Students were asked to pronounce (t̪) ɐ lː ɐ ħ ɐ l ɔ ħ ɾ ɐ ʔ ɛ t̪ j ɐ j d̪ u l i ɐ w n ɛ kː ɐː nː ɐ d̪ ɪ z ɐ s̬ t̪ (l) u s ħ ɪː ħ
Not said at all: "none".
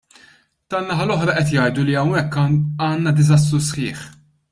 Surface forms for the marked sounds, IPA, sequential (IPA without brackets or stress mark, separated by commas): t̪, ɾ